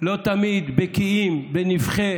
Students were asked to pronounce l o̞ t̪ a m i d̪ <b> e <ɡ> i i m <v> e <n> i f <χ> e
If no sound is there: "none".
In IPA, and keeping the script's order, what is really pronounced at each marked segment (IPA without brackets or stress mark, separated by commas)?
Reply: b, k, b, n, χ